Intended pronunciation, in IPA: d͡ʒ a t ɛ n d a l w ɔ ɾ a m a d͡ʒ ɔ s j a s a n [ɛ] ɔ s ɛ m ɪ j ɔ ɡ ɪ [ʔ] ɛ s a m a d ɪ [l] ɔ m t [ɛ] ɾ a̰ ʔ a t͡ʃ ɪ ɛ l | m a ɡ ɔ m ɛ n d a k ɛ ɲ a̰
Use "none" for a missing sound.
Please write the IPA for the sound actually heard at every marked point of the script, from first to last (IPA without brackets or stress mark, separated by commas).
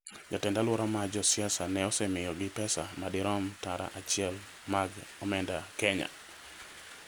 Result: ɛ, p, ɾ, a